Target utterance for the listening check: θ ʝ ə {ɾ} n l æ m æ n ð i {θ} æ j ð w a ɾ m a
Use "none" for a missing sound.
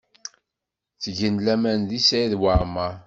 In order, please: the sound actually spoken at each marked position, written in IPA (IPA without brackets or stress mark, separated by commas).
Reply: none, s